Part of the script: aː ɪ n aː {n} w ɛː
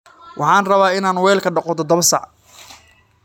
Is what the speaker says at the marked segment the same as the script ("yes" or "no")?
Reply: yes